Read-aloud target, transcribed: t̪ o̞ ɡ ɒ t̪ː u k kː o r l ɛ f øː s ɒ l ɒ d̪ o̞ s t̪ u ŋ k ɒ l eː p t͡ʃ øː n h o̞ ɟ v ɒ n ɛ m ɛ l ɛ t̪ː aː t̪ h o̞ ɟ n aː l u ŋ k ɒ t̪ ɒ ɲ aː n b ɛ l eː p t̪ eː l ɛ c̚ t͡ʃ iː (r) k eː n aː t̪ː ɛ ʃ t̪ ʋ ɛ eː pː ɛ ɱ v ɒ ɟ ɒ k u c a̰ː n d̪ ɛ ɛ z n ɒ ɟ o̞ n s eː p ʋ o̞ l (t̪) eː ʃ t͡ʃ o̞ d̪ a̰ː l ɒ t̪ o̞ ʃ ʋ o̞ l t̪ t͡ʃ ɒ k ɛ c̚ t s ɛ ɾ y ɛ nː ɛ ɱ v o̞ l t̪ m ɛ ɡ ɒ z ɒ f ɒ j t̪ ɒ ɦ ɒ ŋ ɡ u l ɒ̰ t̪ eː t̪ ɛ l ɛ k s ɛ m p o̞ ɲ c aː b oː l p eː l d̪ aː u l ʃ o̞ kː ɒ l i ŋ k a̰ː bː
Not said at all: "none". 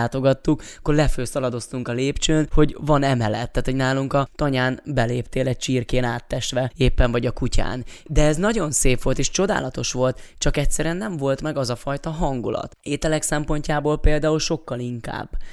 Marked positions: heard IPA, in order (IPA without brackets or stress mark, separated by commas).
r, t̪